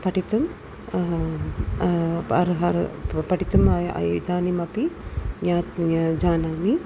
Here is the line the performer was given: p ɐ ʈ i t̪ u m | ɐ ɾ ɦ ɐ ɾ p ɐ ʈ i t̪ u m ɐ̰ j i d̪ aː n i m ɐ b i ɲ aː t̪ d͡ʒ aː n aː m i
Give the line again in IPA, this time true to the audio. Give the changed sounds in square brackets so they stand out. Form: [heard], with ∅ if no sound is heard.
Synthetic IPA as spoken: p ɐ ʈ i t̪ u m | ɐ ɾ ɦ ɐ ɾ p ɐ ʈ i t̪ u m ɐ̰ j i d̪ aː n i m ɐ [p] i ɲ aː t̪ d͡ʒ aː n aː m i